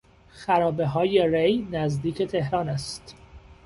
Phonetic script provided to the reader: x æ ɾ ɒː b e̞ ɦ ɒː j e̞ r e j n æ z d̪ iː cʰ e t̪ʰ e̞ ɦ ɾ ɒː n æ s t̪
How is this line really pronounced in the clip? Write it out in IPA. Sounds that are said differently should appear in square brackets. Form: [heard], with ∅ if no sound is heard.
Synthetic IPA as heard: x æ ɾ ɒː b e̞ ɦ ɒː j e̞ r e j n æ z d̪ iː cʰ e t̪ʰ e̞ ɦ ɾ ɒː n æ s t̪